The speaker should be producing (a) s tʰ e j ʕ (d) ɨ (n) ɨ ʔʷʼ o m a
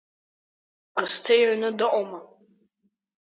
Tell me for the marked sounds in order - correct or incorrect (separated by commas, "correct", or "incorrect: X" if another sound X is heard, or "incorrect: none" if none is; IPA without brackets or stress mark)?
correct, incorrect: n, incorrect: d